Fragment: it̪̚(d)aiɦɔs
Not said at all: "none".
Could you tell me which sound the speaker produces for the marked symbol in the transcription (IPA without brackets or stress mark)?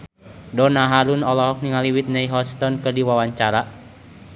n